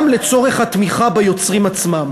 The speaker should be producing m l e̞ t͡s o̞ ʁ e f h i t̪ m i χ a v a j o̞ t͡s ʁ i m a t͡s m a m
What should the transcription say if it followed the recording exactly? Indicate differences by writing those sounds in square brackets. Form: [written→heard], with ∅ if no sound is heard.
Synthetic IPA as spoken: m l e̞ t͡s o̞ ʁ e [f→χ] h [i→a] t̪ m i χ a [v→b] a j o̞ t͡s ʁ i m a t͡s m a m

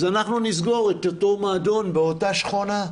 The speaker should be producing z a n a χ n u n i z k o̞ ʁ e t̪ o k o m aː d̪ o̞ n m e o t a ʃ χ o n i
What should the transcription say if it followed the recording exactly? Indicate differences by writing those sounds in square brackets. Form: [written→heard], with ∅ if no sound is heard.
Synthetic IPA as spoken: z a n a χ n u n i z [k→ɡ] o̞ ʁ e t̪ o [k→t] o m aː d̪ o̞ n [m→b] e o t a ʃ χ o n [i→a]

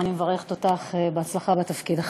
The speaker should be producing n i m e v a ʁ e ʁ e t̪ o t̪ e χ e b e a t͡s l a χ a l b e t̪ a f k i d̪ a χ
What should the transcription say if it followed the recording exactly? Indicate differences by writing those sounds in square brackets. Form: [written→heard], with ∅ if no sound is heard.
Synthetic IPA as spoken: n i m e v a ʁ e [ʁ→χ] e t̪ o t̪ [e→a] χ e b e a t͡s l a χ a [l→∅] b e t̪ a f k i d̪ a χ

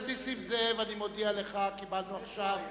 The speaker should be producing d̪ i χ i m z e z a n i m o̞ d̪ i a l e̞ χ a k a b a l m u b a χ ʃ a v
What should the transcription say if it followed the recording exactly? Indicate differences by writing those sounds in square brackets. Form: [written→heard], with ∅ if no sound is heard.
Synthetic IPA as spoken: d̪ i [χ→s] i m z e [z→v] a n i m o̞ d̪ i a l e̞ χ a k [a→i] b a l [m→n] u [b→∅] a χ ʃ a v

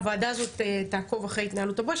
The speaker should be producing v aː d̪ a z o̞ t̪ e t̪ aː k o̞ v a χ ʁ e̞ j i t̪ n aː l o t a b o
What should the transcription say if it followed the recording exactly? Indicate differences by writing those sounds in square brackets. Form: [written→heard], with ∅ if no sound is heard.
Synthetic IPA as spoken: v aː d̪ a z o̞ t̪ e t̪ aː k o̞ v a χ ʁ e̞ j i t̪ n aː l [o→u] t a b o

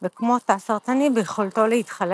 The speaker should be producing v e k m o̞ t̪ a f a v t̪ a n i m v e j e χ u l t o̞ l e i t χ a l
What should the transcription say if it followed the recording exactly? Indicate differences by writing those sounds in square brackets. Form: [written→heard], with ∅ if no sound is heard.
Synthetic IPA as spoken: v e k m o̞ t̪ a [f→s] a [v→ʁ] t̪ a n i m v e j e χ [u→o] l t o̞ l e i t χ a l

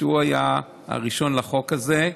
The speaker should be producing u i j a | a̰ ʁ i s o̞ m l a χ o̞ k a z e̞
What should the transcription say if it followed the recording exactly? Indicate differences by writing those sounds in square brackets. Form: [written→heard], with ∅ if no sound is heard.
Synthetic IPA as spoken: u [i→a] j a | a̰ ʁ i [s→ʃ] o̞ [m→n] l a χ o̞ k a z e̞

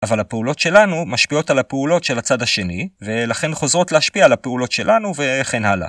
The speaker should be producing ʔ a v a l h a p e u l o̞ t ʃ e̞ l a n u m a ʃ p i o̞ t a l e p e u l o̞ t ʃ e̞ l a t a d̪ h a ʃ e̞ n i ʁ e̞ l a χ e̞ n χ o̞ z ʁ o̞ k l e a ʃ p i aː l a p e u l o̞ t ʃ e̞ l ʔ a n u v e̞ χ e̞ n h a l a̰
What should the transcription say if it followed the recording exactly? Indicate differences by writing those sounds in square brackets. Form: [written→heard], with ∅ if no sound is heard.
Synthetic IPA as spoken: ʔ a v a l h a p e u l o̞ t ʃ e̞ l a n u m a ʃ p i o̞ t a l [e→a] p e u l o̞ t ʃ e̞ l a [t→t͡s] a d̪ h a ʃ e̞ n i [ʁ→v] e̞ l a χ e̞ n χ o̞ z ʁ o̞ [k→t] l e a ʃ p i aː l a p e u l o̞ t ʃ e̞ l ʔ a n u v e̞ χ e̞ n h a l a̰

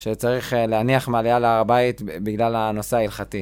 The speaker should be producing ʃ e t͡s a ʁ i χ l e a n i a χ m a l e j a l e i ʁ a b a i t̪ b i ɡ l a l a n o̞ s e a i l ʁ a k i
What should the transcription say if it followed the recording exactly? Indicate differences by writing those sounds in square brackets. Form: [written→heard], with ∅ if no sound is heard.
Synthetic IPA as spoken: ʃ e t͡s a ʁ i χ l e a n i a χ m a l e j a l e [i→a] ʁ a b a i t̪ b i ɡ l a l a n o̞ s e a i l [ʁ→χ] a [k→t] i

